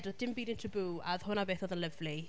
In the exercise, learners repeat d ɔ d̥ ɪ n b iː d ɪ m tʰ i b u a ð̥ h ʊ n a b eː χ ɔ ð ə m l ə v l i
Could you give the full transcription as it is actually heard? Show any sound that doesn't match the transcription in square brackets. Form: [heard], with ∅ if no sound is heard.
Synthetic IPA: d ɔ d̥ ɪ [m] b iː d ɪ [n] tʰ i b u a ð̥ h ʊ n a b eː [θ] ɔ ð ə [n] l ə v l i